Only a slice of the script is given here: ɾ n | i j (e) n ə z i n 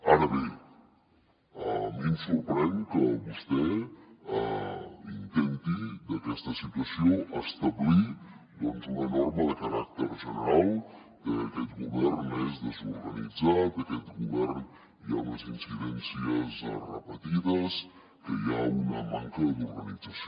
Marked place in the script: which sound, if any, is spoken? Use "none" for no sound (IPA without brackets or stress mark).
a